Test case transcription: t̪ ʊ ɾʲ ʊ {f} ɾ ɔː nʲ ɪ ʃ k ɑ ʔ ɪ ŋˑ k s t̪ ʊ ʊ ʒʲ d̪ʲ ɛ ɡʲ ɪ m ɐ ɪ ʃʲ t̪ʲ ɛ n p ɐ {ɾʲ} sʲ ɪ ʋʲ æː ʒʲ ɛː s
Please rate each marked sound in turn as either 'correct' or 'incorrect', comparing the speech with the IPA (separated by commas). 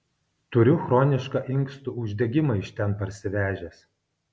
incorrect, correct